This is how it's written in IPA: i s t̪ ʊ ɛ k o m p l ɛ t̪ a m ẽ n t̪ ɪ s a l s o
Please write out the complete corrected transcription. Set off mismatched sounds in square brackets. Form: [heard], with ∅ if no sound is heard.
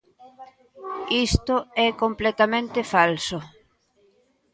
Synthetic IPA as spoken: i s t̪ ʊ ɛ k o m p l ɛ t̪ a m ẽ n t̪ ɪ [f] a l s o